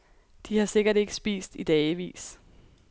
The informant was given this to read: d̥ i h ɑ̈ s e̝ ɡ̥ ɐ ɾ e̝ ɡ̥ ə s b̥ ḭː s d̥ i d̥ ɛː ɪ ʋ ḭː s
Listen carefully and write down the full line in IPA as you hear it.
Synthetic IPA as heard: d̥ i h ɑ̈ s e̝ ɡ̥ ɐ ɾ e̝ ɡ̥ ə s b̥ ḭː s d̥ i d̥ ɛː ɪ ʋ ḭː s